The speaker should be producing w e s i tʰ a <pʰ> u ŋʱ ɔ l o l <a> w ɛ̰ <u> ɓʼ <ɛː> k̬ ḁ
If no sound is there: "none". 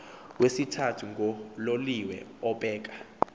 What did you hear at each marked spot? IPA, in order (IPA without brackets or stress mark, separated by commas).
tʰ, i, ɔ, ɛː